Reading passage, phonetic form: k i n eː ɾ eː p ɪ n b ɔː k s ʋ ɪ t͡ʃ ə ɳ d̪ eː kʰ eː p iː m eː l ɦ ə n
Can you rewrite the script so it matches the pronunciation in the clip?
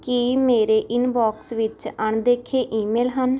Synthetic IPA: k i m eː ɾ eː ʔ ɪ n b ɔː k s ʋ ɪ t͡ʃ ə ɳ d̪ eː kʰ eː ʔ iː m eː l ɦ ə n